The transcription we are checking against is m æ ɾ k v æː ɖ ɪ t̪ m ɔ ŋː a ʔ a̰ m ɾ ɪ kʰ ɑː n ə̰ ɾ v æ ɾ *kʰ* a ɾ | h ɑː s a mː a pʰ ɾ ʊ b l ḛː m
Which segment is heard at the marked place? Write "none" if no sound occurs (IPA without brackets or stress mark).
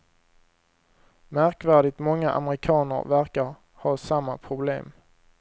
k